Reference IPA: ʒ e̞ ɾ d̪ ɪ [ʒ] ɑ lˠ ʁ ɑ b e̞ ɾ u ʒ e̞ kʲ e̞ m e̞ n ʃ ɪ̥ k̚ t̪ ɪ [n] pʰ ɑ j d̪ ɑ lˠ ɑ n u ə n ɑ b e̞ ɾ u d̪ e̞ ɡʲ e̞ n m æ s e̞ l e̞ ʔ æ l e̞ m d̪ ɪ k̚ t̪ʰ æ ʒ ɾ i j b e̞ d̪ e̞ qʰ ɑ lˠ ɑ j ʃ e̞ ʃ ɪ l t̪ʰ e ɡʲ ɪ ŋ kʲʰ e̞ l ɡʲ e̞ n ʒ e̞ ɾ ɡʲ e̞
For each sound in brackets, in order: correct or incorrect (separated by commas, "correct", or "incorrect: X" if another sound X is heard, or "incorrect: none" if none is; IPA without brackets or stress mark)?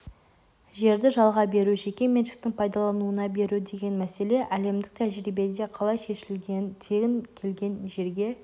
correct, incorrect: ŋ